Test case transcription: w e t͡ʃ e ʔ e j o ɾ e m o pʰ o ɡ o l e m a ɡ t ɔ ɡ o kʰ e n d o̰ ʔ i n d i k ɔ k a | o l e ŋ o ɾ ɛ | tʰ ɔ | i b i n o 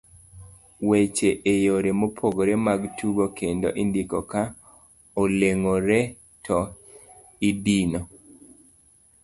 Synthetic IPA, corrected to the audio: w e t͡ʃ e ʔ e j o ɾ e m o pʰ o ɡ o ɾ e m a ɡ t u ɡ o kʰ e n d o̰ ʔ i n d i k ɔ k a | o l e ŋ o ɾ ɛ | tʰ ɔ | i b i n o